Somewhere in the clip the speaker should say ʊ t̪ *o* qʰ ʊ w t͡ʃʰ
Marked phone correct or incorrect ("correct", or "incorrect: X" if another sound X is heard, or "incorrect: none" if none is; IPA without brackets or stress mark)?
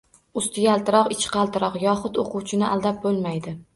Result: correct